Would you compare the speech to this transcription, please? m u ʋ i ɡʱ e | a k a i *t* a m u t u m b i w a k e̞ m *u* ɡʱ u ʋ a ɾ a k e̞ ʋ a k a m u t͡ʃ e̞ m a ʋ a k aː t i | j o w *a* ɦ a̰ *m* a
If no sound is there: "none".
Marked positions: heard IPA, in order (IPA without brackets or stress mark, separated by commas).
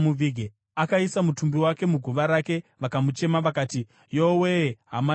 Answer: s, u, e, m